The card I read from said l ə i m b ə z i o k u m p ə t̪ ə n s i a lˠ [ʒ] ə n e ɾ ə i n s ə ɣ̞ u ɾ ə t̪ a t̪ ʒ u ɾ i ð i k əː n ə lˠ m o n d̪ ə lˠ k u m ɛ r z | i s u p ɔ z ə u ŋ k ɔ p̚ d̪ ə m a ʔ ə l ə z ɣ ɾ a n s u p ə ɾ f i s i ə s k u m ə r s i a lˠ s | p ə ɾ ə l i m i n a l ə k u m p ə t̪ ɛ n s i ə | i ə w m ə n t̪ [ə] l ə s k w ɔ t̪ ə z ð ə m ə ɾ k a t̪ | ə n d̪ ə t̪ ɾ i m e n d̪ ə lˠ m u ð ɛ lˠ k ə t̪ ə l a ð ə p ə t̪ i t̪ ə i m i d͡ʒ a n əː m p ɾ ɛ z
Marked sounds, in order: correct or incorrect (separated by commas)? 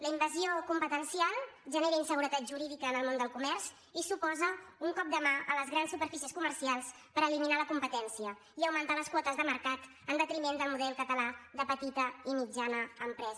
correct, incorrect